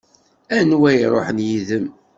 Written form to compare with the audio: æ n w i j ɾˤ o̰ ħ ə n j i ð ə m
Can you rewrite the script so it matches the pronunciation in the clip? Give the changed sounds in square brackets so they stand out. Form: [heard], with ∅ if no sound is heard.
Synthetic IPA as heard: æ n w [æ] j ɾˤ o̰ ħ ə n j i ð ə m

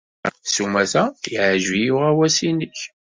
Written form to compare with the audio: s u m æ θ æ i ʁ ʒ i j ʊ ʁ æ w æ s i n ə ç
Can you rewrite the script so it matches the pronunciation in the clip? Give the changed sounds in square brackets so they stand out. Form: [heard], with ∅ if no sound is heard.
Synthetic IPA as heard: s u m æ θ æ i [ʕ] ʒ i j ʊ ʁ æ w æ s i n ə ç

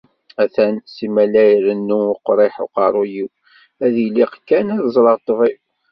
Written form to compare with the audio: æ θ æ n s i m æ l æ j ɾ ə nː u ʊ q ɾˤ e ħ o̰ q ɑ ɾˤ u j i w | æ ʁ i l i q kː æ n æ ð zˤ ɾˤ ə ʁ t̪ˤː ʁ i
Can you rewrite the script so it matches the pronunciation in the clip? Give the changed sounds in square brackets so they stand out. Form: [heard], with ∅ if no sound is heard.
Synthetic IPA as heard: æ θ æ n s i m æ l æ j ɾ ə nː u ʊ q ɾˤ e ħ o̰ q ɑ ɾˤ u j i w | æ [ð] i l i q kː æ n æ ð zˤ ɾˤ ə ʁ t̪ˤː [v] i

